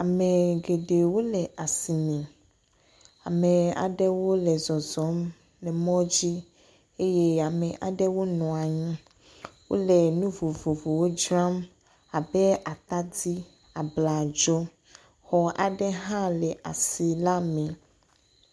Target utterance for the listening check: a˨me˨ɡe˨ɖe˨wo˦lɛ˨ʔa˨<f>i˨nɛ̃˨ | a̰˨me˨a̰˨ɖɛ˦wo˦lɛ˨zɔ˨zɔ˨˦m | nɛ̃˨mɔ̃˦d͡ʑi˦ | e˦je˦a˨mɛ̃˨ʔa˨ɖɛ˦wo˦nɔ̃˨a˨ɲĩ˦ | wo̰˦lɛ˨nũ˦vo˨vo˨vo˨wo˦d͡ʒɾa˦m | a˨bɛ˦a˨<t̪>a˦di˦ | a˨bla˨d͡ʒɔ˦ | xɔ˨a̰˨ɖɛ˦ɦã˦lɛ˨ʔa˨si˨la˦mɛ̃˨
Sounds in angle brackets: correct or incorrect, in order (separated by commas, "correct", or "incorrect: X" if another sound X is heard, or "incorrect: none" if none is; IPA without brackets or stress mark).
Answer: incorrect: s, correct